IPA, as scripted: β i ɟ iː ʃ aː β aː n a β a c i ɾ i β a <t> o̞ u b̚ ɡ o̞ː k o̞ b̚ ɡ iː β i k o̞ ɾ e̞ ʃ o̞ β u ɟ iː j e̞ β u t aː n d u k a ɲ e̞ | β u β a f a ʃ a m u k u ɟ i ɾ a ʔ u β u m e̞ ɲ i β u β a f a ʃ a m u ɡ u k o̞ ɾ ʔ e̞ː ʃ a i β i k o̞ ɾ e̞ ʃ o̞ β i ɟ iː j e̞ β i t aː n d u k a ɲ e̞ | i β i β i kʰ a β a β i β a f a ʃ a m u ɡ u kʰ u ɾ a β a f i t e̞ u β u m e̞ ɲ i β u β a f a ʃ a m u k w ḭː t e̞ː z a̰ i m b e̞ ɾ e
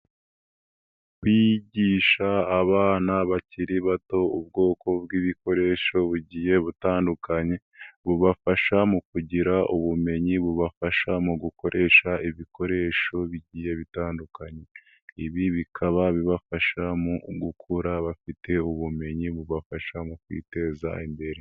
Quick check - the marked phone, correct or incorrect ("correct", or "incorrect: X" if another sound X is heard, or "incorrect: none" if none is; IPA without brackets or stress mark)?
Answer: correct